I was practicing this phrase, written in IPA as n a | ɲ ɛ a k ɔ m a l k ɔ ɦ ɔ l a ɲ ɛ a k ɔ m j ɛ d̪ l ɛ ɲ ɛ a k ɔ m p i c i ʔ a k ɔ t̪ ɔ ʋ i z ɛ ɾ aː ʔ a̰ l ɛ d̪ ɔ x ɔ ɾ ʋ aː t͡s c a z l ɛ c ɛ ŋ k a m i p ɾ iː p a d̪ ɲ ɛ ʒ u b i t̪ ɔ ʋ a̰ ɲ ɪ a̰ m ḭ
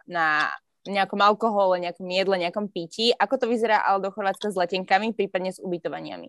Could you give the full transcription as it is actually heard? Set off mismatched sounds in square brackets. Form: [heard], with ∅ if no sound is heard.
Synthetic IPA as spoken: n a | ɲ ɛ a k ɔ m a l k ɔ ɦ ɔ l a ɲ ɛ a k ɔ m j ɛ d̪ l ɛ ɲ ɛ a k ɔ m p i c i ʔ a k ɔ t̪ ɔ ʋ i z ɛ ɾ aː ʔ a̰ l ɛ d̪ ɔ x ɔ ɾ ʋ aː t͡s [k] a z l ɛ c ɛ ŋ k a m i p ɾ iː p a d̪ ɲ ɛ [z] u b i t̪ ɔ ʋ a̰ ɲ ɪ a̰ m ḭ